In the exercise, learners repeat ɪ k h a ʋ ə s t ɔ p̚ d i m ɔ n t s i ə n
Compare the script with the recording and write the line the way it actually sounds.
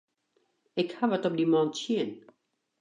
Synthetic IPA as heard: ɪ k h a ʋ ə t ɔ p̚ d i m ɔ n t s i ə n

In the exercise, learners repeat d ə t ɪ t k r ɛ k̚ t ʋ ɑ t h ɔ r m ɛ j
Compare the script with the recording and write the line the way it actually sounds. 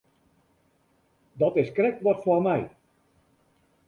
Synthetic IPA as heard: d ɑ t ɪ s k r ɛ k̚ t ʋ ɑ t f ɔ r m ɛ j

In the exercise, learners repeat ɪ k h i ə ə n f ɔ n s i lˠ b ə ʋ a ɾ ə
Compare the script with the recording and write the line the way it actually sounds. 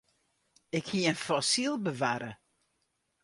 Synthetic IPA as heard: ɪ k h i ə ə n f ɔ s i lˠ b ə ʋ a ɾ ə

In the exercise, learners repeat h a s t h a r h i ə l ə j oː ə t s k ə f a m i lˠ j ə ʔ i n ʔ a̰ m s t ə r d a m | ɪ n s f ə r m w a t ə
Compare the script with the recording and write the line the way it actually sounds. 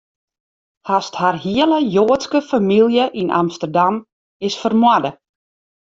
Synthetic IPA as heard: h a s t h a r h i ə l ə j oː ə t s k ə f a m i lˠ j ə ʔ i n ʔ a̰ m s t ə r d a m | ɪ s f ə r m w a d ə

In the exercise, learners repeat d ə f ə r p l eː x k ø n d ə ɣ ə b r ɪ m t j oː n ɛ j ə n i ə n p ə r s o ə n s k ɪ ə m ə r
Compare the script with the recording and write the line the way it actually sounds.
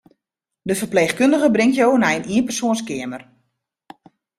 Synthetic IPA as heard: d ə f ə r p l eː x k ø n d ə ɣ ə b r ɪ ŋ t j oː n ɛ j ə n i ə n p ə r s o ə n s k ɪ ə m ə r

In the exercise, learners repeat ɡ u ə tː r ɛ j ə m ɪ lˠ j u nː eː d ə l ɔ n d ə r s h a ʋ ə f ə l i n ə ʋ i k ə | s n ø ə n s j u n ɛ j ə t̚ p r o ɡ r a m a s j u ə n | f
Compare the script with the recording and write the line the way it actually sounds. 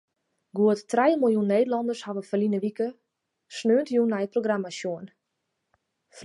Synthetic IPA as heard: ɡ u ə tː r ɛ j ə m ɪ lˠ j u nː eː d ə l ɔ n d ə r s h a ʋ ə f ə l i n ə ʋ i k ə | s n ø ə n t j u n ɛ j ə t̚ p r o ɡ r a m a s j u ə n | f

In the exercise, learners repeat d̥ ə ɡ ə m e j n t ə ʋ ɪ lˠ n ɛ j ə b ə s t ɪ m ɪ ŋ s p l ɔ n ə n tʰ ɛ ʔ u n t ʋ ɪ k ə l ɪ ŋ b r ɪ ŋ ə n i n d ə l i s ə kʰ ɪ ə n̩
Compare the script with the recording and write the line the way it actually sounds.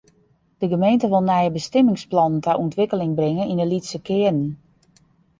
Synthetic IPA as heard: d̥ ə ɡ ə m e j n t ə ʋ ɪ lˠ n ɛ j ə b ə s t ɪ m ɪ ŋ s p l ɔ n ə n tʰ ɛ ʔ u n t ʋ ɪ k ə l ɪ ŋ b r ɪ ŋ ə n i n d ə l i s ə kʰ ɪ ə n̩

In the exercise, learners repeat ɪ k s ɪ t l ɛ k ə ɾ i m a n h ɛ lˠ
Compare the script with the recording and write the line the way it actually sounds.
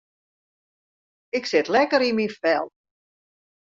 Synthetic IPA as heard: ɪ k s ɪ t l ɛ k ə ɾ i m i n f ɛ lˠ

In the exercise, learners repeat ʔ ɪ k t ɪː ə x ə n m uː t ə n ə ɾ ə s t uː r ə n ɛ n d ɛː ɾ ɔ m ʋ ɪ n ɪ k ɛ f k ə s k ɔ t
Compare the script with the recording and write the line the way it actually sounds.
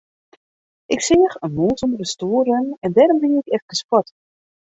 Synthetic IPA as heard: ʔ ɪ k s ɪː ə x ə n m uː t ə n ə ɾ ə s t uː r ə n ɛ n d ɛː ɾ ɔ m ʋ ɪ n ɪ k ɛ f k ə s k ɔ t

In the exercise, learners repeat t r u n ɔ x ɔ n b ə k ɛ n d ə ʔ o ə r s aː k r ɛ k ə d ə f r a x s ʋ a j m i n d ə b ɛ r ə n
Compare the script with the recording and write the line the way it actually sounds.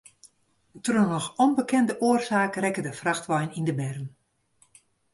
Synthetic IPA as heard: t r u n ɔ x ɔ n b ə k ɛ n d ə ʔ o ə r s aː k r ɛ k ə d ə f r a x t ʋ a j n i n d ə b ɛ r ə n

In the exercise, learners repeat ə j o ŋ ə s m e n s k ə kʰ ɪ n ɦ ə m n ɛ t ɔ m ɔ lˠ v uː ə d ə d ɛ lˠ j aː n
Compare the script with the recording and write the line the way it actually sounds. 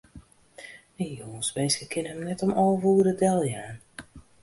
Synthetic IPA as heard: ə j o ŋ ə s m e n s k ə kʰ ɪ n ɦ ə m n ɛ t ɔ m ɔ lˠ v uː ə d ə d ɛ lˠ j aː n

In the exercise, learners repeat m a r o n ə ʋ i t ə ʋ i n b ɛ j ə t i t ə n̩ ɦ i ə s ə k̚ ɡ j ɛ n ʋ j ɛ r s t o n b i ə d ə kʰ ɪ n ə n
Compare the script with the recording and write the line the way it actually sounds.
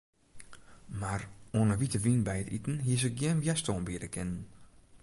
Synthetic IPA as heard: m a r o n ə ʋ i t ə ʋ i n b ɛ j ə t i t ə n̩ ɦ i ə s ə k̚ ɡ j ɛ n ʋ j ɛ s t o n b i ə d ə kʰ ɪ n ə n

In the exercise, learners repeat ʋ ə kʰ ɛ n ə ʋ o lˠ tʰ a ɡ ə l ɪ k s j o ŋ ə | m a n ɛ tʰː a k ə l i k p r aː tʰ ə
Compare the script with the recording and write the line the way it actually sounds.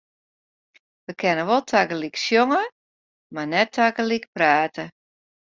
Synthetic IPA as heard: ʋ ə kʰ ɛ n ə ʋ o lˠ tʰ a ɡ ə l i k s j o ŋ ə | m a n ɛ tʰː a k ə l i k p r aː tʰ ə

